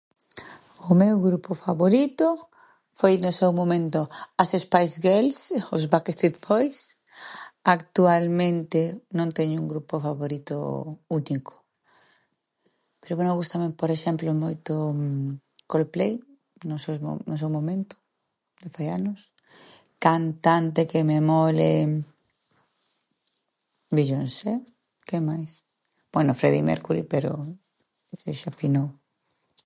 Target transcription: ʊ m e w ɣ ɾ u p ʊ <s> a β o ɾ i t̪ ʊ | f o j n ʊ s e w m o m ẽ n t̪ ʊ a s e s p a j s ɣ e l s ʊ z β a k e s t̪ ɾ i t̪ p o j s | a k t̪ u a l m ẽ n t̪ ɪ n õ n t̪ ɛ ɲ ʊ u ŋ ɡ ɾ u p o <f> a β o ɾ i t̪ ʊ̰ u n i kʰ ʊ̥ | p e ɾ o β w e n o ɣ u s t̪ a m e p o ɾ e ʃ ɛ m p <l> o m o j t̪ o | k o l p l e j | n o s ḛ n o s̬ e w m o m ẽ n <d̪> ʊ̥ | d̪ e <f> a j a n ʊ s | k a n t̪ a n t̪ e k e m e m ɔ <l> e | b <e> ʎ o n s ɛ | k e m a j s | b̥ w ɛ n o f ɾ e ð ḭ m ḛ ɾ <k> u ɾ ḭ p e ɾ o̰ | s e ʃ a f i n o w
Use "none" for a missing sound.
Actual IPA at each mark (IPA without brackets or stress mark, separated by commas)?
f, f, l, t̪, f, l, i, k